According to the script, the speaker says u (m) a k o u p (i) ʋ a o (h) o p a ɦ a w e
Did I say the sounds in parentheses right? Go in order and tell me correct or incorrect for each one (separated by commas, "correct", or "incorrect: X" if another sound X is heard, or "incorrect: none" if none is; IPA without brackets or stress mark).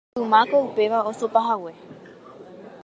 correct, incorrect: e, incorrect: s